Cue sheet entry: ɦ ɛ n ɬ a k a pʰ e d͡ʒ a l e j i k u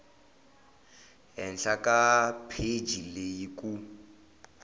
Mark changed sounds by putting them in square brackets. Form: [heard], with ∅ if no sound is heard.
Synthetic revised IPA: ɦ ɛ n ɬ a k a pʰ e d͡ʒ [i] l e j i k u